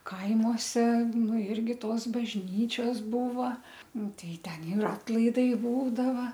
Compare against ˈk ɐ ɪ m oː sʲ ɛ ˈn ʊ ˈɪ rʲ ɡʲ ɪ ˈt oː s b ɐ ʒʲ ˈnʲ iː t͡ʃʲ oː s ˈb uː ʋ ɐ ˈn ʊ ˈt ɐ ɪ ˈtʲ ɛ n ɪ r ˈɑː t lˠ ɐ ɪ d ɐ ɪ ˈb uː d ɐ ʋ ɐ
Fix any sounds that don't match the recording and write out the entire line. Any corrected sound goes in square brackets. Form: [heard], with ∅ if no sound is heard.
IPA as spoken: ˈk ɐ ɪ m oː sʲ ɛ ˈn ʊ ˈɪ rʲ ɡʲ ɪ ˈt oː s b ɐ ʒʲ ˈnʲ iː t͡ʃʲ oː s ˈb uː ʋ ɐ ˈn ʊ ˈt ɐ ɪ ˈtʲ ɛ n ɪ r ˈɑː t lˠ ɐ ɪ d ɐ ɪ ˈb uː d ɐ ʋ ɐ